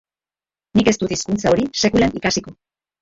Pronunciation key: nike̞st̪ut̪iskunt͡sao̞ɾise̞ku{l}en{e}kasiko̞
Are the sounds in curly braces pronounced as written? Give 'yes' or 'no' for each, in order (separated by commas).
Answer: yes, no